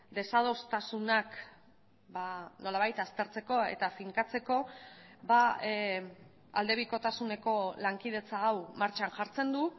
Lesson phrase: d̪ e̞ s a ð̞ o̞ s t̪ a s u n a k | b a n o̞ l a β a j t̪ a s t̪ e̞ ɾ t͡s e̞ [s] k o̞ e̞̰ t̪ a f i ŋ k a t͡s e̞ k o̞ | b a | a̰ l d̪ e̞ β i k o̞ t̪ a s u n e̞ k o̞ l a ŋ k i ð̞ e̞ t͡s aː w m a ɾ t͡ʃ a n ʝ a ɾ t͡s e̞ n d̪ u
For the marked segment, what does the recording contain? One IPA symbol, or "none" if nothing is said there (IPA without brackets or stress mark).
none